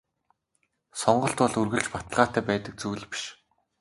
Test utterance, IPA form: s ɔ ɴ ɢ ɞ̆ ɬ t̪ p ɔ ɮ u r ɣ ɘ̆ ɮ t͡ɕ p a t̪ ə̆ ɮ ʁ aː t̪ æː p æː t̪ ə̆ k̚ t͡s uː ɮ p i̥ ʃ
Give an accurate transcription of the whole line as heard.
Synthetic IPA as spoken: s ɔ ɴ ɢ ɞ̆ ɬ t̪ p ɔ ɮ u r ɣ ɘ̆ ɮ t͡ɕ p a t̪ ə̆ ɮ ʁ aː t̪ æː p æː t̪ ə̆ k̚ t͡s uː ɮ p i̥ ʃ